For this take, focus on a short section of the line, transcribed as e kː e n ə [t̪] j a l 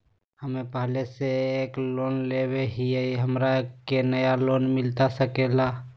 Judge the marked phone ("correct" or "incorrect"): incorrect